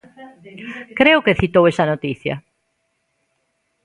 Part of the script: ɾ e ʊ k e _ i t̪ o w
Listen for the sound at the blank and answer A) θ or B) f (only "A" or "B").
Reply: A